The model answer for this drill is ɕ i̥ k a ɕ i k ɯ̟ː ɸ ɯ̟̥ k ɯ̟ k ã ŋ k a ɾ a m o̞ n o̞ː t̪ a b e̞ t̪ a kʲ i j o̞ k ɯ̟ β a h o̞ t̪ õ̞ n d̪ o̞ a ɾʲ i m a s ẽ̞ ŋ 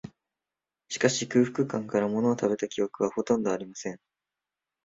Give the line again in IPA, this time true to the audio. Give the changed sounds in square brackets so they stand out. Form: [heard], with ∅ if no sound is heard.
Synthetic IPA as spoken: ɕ i̥ k a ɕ i k ɯ̟ː ɸ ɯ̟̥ k ɯ̟ k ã ŋ k a ɾ a m o̞ n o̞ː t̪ a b e̞ t̪ a kʲ i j o̞ k ɯ̟ β a h o̞ t̪ õ̞ n d̪ o̞ a ɾʲ i m a s ẽ̞ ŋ

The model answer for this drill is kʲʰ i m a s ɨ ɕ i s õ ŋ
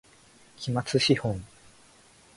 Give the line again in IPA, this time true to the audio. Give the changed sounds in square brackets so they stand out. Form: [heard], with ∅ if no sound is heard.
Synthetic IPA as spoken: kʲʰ i m a [t͡s] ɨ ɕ i [h] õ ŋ

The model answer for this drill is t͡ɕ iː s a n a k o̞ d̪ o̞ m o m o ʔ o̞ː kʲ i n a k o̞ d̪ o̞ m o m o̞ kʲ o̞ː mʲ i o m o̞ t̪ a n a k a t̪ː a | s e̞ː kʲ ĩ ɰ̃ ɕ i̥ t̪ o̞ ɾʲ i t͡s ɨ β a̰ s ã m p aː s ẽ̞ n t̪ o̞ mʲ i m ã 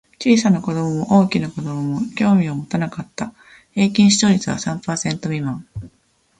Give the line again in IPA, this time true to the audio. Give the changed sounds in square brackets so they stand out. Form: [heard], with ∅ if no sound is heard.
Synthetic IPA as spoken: t͡ɕ iː s a n a k o̞ d̪ o̞ m o m o ʔ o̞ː kʲ i n a k o̞ d̪ o̞ m o m o̞ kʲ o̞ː mʲ i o m o̞ t̪ a n a k a t̪ː a | [h] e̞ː kʲ ĩ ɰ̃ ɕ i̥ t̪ o̞ ɾʲ i t͡s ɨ β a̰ s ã m p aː s ẽ̞ n t̪ o̞ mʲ i m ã

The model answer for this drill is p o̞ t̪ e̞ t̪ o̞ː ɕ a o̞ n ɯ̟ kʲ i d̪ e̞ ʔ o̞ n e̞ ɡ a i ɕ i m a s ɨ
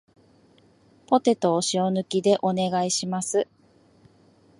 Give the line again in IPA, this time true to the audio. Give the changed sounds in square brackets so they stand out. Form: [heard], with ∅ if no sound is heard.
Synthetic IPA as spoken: p o̞ t̪ e̞ t̪ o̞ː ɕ [i] o̞ n ɯ̟ kʲ i d̪ e̞ ʔ o̞ n e̞ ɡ a i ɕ i m a s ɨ

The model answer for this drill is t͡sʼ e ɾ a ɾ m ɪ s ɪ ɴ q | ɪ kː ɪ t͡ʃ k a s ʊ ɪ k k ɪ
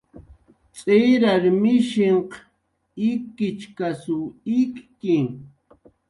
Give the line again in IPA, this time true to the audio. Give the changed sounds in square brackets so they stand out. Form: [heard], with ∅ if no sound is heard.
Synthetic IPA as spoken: t͡sʼ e ɾ a ɾ m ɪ [ʃ] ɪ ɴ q | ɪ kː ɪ t͡ʃ k a s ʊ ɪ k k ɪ

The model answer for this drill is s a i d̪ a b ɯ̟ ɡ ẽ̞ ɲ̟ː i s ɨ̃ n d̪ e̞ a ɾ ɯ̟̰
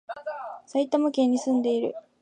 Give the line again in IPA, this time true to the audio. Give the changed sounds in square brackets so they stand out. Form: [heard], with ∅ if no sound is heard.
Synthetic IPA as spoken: s a i [t̪] a [m] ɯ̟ [k] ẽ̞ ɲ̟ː i s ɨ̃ n d̪ e̞ [i] ɾ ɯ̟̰

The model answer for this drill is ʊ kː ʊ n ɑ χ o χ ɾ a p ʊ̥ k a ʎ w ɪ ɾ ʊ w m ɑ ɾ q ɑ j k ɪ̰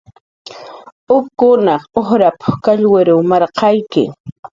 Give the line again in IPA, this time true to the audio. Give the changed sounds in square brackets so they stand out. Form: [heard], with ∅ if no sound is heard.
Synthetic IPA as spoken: ʊ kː ʊ n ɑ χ o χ ɾ a p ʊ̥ k a ʎ w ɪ ɾ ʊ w m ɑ ɾ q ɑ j k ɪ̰

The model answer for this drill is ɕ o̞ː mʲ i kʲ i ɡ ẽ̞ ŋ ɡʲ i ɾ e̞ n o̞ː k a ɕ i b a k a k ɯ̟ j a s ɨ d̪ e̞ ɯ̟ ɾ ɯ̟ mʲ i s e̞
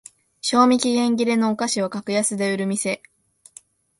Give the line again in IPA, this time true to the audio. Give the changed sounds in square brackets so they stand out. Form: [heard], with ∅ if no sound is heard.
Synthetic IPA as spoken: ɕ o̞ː mʲ i kʲ i ɡ ẽ̞ ŋ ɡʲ i ɾ e̞ n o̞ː k a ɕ i [β] a k a k ɯ̟ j a s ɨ d̪ e̞ ɯ̟ ɾ ɯ̟ mʲ i s e̞

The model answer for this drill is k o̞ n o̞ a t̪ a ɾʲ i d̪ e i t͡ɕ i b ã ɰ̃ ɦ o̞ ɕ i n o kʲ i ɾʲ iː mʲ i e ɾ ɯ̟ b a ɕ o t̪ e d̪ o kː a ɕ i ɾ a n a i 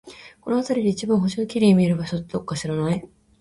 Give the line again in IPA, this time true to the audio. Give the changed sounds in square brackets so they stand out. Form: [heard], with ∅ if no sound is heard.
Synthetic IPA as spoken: k o̞ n o̞ a t̪ a ɾʲ i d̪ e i t͡ɕ i b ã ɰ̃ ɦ o̞ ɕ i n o kʲ i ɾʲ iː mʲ i e ɾ ɯ̟ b a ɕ o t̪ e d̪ o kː a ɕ i ɾ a n a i

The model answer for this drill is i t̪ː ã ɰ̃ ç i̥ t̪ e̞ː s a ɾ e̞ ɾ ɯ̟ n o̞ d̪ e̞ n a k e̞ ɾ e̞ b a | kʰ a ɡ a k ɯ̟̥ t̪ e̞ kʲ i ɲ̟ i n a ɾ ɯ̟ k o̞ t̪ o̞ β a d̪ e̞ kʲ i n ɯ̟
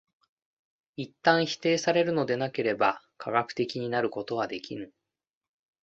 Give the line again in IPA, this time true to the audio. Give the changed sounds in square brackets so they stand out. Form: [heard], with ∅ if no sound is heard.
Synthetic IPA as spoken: i t̪ː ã ɰ̃ ç i̥ t̪ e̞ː s a ɾ e̞ ɾ ɯ̟ n o̞ d̪ e̞ n a k e̞ ɾ e̞ b a | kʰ a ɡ a k ɯ̟̥ t̪ e̞ kʲ i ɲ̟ i n a ɾ ɯ̟ k o̞ t̪ o̞ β a d̪ e̞ kʲ i n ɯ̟

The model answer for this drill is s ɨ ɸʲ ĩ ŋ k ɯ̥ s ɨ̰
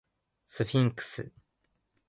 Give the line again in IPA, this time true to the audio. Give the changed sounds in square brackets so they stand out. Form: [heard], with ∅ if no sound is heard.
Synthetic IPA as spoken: s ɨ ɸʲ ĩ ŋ k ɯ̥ s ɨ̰

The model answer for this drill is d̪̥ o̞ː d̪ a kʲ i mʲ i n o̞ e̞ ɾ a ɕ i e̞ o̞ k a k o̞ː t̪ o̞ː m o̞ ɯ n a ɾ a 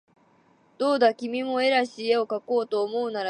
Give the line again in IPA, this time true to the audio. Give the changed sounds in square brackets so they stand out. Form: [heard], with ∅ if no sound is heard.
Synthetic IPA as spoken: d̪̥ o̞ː d̪ a kʲ i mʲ i [m] o̞ e̞ ɾ a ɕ i e̞ o̞ k a k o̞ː t̪ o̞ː m o̞ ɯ n a ɾ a

